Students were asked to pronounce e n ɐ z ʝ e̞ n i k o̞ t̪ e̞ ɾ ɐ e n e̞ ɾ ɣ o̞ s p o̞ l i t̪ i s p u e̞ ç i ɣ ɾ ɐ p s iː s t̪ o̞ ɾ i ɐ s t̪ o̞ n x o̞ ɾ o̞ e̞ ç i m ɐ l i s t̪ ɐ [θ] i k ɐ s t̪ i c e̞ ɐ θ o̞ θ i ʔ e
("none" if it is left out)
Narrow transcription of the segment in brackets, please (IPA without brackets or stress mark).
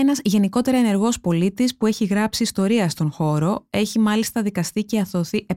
ð